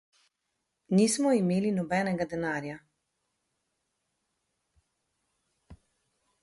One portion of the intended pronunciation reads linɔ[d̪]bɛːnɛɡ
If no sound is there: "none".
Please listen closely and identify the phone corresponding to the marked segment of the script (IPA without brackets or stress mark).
none